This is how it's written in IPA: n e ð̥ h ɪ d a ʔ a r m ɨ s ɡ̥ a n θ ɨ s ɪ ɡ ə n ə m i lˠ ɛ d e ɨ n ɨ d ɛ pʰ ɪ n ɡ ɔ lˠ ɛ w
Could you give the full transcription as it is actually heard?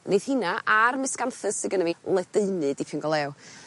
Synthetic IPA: n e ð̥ h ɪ n a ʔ a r m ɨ s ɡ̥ a n θ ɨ s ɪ ɡ ə n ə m i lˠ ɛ d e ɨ n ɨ d i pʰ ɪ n ɡ ɔ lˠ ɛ w

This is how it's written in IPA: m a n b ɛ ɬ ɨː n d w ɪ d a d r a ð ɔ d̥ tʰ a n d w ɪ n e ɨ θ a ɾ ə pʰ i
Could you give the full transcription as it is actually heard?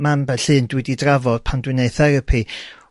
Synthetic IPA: m a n b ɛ ɬ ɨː n d w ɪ d i d r a v ɔ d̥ pʰ a n d w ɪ n e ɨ θ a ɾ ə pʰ i

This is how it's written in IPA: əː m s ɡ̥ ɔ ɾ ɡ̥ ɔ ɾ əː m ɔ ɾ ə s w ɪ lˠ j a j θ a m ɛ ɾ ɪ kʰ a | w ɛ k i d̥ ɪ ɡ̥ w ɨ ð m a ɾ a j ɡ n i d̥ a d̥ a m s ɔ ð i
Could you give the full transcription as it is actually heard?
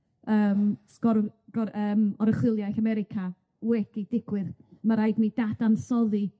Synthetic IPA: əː m s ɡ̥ ɔ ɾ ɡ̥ ɔ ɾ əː m ɔ ɾ ə χ w ɪ lˠ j a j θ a m ɛ ɾ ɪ kʰ a | w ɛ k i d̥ ɪ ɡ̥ w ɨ ð m a ɾ a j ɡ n i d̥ a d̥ a n s ɔ ð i

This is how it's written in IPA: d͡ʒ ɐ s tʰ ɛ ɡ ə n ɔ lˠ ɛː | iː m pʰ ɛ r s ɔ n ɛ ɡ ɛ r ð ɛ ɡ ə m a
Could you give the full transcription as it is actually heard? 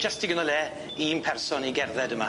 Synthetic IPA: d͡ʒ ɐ s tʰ i ɡ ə n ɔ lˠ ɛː | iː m pʰ ɛ r s ɔ n i ɡ ɛ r ð ɛ d ə m a

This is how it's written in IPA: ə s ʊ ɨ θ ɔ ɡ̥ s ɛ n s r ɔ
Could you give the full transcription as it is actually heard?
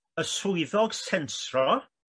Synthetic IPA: ə s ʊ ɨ ð ɔ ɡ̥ s ɛ n s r ɔ

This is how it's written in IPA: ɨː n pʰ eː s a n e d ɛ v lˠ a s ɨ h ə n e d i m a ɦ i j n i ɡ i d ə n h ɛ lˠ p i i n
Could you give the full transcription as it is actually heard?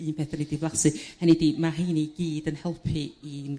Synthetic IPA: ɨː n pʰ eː θ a n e d i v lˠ a s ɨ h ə n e d i m a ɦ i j n i ɡ iː d ə n h ɛ lˠ pʰ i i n

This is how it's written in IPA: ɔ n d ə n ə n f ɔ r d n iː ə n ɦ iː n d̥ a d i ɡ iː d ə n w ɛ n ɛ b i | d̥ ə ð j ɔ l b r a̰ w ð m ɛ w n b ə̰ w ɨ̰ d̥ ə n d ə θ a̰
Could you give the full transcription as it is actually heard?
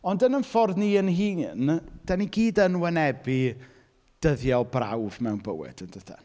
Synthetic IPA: ɔ n d ə n ə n f ɔ r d n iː ə n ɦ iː n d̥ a n i ɡ iː d ə n w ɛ n ɛ b i | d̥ ə ð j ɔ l b r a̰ w v m ɛ w n b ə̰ w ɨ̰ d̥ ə n d ə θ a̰

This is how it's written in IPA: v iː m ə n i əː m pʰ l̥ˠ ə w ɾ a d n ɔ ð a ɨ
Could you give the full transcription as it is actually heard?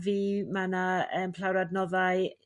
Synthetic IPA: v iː m a n a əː m pʰ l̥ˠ a w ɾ a d n ɔ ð a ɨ

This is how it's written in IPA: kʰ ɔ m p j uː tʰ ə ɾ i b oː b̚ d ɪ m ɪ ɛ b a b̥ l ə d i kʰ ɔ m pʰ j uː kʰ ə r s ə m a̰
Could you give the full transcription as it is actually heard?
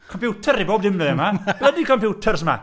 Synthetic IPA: kʰ ɔ m p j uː tʰ ə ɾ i b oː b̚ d ɪ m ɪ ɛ m a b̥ l ə d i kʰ ɔ m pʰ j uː tʰ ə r s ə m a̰

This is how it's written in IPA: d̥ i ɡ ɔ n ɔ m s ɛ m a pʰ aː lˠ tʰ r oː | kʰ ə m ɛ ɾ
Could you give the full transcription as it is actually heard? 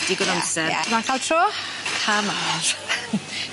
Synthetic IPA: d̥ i ɡ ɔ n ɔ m s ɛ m a kʰ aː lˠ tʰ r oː | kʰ a m a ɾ

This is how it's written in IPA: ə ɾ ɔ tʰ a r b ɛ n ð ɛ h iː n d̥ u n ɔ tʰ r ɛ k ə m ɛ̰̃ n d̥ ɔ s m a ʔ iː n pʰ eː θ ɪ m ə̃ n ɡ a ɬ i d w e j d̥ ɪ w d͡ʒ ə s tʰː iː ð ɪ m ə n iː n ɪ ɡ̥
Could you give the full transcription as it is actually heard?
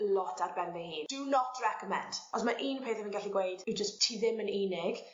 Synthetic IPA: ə l ɔ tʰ a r b ɛ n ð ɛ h iː n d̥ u n ɔ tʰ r ɛ k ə m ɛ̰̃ n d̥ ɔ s m a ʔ iː n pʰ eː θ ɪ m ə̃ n ɡ a ɬ i ɡ w e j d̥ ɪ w d͡ʒ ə s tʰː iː ð ɪ m ə n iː n ɪ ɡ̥

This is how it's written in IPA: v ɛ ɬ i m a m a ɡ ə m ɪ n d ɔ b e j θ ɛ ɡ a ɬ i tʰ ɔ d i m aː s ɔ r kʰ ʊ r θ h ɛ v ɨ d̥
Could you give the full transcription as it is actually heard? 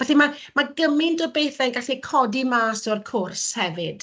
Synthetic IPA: v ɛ ɬ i m a m a ɡ ə m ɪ n d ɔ b e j θ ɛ ɡ a ɬ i kʰ ɔ d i m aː s ɔ r kʰ ʊ r s h ɛ v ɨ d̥

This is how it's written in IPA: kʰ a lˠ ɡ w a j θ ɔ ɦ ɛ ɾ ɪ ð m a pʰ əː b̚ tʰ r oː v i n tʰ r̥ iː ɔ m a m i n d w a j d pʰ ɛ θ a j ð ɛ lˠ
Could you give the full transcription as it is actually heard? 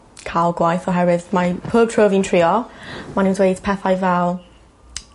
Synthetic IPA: kʰ a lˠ ɡ w a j θ ɔ ɦ ɛ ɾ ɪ ð m a pʰ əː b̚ tʰ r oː v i n tʰ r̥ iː ɔ m a n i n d w e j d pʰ ɛ θ a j v ɛ lˠ

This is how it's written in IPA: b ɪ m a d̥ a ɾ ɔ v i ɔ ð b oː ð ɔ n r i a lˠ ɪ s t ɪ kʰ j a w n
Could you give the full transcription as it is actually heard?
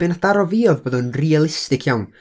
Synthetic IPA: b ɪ n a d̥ a ɾ ɔ v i ɔ ð b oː ð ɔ n r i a lˠ ɪ s t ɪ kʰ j a w n

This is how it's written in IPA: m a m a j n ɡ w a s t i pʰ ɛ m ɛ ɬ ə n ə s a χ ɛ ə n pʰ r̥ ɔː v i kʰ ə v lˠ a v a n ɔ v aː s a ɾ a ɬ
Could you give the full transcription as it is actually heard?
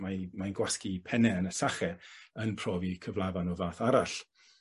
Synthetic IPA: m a m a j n ɡ w a s k i pʰ ɛ n ɛ ə n ə s a χ ɛ ə n pʰ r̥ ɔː v i kʰ ə v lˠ a v a n ɔ v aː θ a ɾ a ɬ

